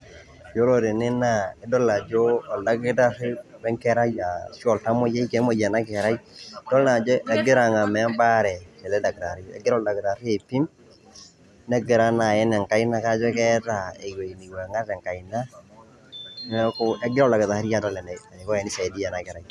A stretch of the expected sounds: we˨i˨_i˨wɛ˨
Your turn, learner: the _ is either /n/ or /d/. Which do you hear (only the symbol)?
n